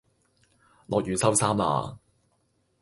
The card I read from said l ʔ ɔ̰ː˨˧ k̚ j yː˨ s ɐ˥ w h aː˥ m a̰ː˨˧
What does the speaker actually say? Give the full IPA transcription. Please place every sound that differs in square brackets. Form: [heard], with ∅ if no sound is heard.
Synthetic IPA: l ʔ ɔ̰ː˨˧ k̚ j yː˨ s ɐ˥ w [s] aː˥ m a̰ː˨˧